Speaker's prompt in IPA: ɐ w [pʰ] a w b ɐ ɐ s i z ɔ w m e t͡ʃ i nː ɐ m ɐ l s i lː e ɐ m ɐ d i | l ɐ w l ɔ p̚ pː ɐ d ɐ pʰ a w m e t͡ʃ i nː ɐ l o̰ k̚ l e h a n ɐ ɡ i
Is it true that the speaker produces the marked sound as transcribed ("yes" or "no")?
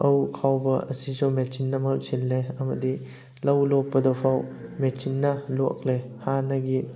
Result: no